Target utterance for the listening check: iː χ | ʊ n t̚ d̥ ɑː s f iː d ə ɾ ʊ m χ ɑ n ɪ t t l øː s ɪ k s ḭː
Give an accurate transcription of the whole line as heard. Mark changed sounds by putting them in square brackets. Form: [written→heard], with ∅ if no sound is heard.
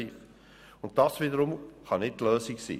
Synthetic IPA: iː [χ→f] | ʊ n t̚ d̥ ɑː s [f→v] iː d ə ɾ ʊ m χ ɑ n ɪ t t l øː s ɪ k s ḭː